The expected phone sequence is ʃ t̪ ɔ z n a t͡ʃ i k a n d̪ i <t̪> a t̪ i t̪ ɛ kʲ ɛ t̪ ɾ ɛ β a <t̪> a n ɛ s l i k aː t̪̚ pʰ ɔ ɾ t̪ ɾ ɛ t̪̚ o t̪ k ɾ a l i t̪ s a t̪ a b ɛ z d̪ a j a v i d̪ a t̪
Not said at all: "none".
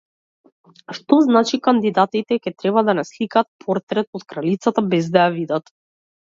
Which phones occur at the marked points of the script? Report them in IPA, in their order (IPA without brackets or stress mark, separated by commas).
d̪, d̪